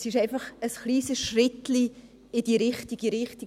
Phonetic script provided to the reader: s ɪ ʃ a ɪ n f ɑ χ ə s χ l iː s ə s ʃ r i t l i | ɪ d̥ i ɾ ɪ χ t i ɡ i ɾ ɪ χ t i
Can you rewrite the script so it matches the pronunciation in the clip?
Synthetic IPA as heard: s ɪ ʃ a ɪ n f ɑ χ ə s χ l iː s ə s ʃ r ɪ t l i | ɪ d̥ i ɾ ɪ χ t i ɡ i ɾ ɪ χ t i